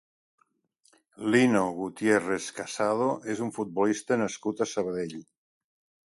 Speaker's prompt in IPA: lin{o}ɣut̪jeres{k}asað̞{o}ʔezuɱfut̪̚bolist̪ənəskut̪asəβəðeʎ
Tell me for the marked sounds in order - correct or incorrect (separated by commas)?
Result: correct, correct, correct